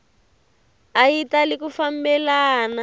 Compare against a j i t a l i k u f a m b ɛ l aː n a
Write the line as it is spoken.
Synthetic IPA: a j i t a l i k u f a m b ɛ l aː n a